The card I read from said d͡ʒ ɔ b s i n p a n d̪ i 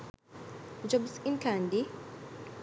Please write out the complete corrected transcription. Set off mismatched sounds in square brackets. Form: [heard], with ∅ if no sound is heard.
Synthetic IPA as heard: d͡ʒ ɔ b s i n [k] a n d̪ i

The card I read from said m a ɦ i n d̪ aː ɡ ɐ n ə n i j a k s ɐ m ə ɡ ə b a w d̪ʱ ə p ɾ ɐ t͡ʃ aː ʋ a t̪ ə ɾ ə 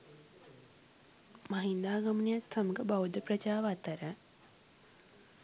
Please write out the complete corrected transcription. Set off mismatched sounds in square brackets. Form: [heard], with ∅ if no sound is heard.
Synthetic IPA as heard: m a ɦ i n d̪ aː ɡ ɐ [m] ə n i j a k s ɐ m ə ɡ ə b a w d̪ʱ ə p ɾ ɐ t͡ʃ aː ʋ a t̪ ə ɾ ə

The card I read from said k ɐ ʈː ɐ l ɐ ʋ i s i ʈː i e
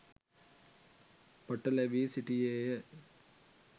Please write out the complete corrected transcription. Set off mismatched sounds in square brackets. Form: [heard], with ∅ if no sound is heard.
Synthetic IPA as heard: [p] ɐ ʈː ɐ l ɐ ʋ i s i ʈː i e

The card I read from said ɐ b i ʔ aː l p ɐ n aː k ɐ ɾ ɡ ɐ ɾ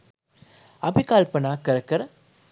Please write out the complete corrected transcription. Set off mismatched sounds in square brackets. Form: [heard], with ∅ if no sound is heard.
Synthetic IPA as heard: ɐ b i [k] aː l p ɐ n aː k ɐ ɾ [k] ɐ ɾ

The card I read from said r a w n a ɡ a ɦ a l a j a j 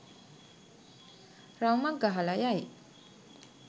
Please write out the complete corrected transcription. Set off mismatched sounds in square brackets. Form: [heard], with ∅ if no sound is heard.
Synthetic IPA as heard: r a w [m] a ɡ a ɦ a l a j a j

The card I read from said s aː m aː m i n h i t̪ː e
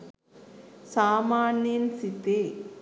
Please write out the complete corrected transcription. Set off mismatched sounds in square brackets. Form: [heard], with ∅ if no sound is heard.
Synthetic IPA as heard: s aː m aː [n] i n [s] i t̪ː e

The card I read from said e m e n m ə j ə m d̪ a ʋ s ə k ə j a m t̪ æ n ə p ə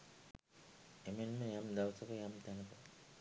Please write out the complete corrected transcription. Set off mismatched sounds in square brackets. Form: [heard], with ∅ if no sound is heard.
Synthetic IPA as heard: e m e n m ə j [a] m d̪ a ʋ s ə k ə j a m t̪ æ n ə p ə

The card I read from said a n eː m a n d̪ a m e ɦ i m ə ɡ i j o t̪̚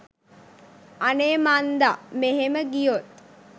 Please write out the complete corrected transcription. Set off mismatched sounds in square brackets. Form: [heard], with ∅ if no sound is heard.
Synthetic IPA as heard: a n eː m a n d̪ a m e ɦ [e] m ə ɡ i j o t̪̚

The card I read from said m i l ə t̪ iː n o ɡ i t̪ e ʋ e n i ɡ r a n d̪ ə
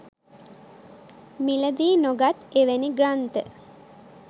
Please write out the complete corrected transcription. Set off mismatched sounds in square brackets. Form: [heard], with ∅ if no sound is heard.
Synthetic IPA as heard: m i l ə [d̪] iː n o ɡ [a] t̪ e ʋ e n i ɡ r a n [t̪] ə

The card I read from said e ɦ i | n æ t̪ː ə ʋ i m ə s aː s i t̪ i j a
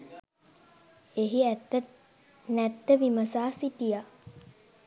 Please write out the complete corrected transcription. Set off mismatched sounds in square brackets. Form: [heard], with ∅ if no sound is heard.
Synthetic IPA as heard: e ɦ i | n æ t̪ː ə ʋ i m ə s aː s i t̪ i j a

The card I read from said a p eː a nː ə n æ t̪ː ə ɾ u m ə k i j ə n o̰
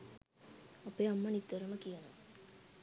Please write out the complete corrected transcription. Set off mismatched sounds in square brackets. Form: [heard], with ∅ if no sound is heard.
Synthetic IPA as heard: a p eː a [mː] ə n [i] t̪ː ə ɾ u m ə k i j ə n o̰

